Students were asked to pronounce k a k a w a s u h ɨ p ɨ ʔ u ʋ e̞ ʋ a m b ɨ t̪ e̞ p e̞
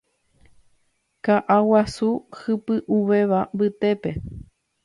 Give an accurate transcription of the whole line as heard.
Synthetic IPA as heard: k a ʔ a w a s u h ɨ p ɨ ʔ u ʋ e̞ ʋ a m b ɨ t̪ e̞ p e̞